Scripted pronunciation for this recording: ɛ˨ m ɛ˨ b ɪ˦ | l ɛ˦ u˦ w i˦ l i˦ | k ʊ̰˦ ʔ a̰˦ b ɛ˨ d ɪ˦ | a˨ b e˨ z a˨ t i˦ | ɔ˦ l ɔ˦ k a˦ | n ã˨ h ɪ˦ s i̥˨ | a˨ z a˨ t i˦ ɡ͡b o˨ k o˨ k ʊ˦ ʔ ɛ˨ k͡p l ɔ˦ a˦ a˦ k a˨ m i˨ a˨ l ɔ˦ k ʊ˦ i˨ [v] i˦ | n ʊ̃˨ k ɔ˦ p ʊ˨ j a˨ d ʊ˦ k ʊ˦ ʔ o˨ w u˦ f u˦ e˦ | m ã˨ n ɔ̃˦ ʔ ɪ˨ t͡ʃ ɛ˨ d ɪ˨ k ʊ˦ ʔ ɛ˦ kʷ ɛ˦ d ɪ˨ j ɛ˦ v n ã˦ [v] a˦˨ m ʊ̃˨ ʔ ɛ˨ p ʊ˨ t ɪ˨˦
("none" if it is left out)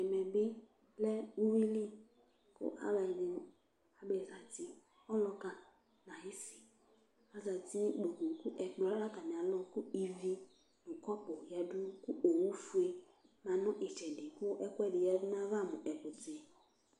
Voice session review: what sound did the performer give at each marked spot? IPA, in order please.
v, v

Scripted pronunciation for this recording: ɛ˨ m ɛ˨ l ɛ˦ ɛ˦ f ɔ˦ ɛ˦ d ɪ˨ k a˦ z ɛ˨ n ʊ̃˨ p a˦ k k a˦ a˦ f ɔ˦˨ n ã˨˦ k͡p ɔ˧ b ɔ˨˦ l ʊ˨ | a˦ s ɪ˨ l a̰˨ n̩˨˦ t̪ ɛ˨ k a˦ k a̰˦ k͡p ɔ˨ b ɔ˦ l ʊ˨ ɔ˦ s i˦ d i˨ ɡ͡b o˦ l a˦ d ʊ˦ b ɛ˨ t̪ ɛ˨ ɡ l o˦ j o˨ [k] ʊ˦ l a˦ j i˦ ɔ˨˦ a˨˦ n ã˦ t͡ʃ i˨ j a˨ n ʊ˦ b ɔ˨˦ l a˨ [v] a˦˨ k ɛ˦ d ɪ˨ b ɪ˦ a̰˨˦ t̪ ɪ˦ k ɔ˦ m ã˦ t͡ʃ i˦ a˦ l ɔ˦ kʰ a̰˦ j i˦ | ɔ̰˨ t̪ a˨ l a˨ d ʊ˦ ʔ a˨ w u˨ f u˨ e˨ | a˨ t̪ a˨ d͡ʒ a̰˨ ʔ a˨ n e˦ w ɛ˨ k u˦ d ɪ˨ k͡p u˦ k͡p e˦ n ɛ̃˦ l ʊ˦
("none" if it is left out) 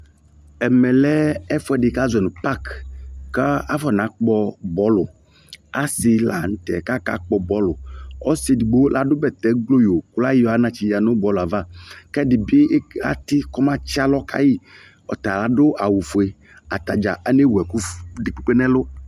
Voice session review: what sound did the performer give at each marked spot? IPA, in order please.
k, v

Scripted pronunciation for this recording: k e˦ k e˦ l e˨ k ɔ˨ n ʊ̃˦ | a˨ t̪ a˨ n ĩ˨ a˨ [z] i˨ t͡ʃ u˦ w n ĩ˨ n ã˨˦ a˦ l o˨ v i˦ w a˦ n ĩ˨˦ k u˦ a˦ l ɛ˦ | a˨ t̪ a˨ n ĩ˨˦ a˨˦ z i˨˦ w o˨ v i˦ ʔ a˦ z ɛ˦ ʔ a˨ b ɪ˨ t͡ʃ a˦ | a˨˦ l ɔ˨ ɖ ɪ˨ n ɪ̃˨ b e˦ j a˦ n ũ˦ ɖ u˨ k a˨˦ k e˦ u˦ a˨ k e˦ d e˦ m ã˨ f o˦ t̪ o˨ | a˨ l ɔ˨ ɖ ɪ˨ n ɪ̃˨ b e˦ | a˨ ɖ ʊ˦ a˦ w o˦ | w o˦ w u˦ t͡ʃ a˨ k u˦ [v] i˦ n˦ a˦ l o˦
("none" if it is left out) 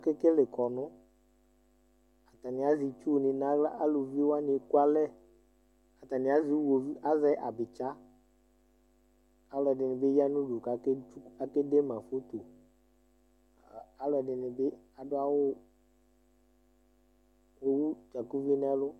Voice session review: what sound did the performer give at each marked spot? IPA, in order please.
z, v

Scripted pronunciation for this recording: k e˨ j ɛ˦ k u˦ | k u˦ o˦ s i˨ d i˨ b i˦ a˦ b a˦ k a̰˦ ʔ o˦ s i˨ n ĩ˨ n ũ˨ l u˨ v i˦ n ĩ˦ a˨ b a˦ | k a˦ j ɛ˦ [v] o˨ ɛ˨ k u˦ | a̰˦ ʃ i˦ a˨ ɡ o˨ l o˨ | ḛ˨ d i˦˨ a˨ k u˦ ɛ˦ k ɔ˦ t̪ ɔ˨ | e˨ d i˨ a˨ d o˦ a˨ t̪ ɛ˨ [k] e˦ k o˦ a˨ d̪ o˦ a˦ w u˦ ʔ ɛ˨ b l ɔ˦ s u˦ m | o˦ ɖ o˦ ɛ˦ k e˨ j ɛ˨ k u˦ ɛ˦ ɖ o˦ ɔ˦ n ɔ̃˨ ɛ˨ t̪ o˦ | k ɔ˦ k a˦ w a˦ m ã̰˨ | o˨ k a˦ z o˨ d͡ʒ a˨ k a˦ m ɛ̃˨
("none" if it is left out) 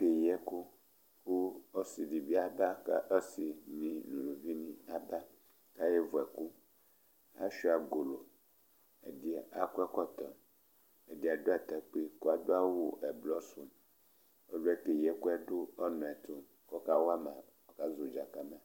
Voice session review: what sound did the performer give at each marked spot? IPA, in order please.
v, k͡p

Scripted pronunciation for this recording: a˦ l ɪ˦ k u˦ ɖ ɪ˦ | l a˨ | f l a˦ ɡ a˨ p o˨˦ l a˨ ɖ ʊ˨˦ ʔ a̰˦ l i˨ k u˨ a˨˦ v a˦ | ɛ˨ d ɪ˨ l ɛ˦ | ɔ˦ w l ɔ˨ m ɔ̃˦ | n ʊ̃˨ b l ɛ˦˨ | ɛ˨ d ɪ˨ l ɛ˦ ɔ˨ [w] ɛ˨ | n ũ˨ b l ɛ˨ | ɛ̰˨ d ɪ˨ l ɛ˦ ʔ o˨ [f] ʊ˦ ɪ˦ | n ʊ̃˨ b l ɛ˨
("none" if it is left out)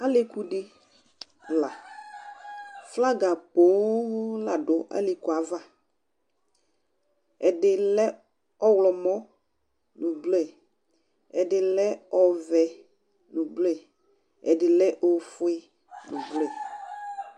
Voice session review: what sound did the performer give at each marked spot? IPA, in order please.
v, f

